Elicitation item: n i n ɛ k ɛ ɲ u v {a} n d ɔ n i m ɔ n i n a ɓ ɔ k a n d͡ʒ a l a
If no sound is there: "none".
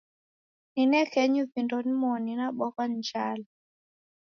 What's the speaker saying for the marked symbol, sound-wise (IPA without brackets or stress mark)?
i